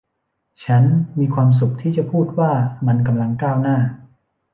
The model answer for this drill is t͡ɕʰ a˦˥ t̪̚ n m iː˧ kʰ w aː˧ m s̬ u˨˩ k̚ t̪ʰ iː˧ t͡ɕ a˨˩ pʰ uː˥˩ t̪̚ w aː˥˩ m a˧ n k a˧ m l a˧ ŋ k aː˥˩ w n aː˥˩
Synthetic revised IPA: t͡ɕʰ a˦˥ n m iː˧ kʰ w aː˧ m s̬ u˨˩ k̚ t̪ʰ iː˥˩ t͡ɕ a˨˩ pʰ uː˥˩ t̪̚ w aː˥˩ m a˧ n k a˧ m l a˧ ŋ k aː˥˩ w n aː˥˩